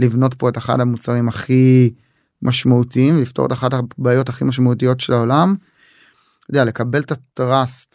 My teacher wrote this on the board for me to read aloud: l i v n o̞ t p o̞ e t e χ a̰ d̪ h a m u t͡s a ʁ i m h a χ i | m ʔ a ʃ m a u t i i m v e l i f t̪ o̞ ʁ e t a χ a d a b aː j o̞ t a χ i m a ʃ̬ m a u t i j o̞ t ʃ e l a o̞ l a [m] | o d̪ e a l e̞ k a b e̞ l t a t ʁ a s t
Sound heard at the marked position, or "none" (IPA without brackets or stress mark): m